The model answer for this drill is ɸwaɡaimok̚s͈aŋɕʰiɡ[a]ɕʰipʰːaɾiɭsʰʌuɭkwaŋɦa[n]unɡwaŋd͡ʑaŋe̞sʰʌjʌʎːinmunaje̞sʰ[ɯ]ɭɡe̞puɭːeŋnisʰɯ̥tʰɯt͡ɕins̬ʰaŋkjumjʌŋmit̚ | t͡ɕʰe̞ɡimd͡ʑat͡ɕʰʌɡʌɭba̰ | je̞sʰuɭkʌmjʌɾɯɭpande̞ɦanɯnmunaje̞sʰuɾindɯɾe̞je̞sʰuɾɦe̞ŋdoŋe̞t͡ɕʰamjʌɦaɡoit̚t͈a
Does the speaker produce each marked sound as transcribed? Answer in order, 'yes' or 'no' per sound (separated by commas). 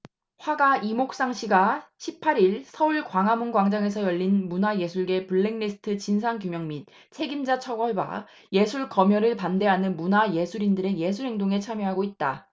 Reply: yes, no, no